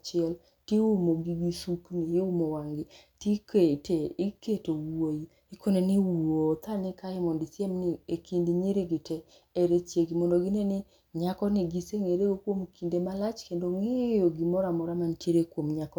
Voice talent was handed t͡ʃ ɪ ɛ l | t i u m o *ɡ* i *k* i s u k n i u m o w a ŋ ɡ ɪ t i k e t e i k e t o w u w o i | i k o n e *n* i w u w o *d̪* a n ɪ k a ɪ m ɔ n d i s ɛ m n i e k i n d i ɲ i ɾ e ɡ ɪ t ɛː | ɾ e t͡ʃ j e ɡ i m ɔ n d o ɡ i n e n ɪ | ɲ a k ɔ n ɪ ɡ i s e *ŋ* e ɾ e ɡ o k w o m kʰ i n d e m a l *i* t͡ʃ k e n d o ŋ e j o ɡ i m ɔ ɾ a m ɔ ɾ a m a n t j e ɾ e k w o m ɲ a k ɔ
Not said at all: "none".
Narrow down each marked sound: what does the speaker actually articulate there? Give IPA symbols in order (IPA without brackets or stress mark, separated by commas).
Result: ɡ, ɡ, n, t̪, ŋ, a